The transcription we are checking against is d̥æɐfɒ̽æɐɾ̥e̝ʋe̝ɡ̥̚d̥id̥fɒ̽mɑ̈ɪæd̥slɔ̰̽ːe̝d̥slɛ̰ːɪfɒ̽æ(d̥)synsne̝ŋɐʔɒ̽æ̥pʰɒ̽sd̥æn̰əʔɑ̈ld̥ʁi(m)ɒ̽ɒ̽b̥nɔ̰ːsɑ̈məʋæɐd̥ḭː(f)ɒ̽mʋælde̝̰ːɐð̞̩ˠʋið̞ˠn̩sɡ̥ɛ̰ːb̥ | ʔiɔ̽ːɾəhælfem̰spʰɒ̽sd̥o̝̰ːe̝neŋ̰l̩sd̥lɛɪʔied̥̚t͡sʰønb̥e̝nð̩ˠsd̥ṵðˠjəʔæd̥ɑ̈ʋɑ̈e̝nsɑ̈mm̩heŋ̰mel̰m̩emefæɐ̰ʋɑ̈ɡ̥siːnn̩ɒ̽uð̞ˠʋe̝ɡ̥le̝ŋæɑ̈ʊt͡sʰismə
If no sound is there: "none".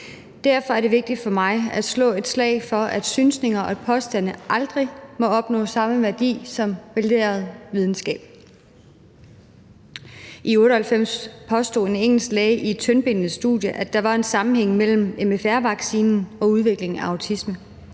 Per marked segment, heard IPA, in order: d̥, m, s

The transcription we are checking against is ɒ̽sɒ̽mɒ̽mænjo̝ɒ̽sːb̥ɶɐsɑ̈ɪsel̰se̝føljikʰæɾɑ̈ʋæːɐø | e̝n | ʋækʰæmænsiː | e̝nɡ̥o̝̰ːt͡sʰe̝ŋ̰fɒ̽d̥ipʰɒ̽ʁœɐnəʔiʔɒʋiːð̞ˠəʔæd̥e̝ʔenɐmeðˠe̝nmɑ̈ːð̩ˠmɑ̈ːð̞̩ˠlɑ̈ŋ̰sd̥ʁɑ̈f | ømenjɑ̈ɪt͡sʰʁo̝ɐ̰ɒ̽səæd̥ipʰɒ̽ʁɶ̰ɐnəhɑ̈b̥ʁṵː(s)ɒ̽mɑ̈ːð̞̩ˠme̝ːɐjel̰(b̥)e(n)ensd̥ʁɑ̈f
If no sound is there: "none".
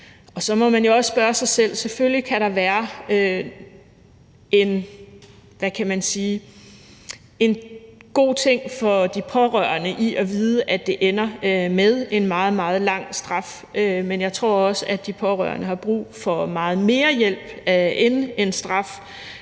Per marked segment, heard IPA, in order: f, b̥, n

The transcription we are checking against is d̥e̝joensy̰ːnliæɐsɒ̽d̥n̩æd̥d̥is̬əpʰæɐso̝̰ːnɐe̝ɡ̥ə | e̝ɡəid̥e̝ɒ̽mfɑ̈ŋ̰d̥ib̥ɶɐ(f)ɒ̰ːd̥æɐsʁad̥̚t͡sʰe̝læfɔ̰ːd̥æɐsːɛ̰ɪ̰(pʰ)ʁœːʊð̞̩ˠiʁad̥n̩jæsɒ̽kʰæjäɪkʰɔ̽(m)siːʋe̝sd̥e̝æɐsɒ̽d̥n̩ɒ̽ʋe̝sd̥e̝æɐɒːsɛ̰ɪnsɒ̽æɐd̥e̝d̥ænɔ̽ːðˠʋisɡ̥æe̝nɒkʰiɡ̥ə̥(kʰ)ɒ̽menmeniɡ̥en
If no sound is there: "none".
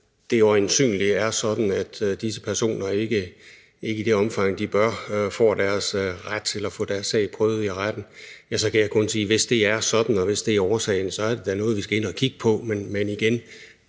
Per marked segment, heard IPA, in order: f, pʰ, n, pʰ

